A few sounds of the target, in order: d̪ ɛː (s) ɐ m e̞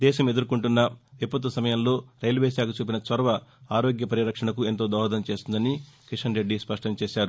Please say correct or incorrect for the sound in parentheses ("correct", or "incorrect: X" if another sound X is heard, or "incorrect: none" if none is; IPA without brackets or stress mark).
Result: incorrect: ʃ